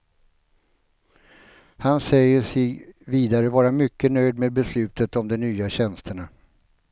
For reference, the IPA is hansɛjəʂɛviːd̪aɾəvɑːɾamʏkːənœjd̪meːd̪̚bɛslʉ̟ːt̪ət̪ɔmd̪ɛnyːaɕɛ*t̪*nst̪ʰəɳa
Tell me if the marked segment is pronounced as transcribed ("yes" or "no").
no